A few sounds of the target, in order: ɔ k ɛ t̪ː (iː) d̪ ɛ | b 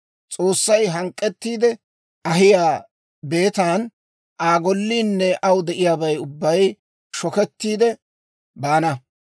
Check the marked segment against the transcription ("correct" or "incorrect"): correct